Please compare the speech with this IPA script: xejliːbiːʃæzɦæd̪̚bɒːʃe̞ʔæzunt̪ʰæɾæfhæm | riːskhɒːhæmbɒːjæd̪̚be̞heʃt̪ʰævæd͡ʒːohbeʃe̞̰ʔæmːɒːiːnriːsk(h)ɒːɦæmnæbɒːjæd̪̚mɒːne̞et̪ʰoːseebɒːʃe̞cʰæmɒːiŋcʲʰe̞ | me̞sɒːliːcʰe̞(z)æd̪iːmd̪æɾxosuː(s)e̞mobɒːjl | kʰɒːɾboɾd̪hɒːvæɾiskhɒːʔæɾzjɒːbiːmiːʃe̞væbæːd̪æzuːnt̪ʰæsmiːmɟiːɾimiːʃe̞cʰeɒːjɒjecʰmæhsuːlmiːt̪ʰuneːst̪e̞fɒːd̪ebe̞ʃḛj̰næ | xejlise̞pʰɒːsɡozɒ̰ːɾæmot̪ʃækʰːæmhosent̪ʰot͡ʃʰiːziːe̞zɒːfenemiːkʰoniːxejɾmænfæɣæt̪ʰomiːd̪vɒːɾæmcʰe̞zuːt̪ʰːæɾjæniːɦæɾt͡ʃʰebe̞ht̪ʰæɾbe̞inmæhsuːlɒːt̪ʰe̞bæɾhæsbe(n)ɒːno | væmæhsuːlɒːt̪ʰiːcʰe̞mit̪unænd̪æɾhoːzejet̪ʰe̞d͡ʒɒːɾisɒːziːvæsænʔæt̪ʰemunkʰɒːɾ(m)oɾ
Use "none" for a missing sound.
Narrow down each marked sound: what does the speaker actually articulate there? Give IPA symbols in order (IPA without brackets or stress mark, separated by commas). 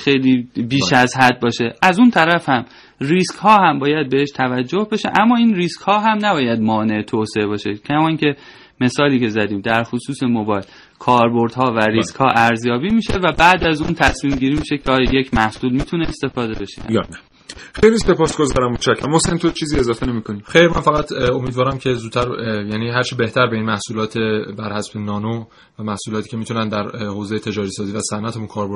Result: h, z, s, n, b